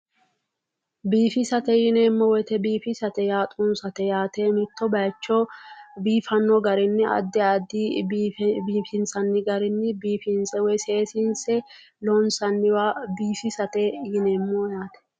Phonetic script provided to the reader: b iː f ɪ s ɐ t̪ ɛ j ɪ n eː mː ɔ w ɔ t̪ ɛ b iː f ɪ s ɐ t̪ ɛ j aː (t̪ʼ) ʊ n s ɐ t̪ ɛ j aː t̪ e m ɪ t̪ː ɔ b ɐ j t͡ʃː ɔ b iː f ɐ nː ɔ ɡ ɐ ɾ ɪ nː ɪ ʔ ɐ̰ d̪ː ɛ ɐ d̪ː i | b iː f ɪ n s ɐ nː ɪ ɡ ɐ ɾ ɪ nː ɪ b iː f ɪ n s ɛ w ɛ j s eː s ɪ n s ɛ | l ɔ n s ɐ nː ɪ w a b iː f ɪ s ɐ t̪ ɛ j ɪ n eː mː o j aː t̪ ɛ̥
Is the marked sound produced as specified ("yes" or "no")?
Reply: yes